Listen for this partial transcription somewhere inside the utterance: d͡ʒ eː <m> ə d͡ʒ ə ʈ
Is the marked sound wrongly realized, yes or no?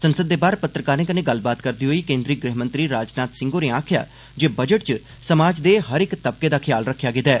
yes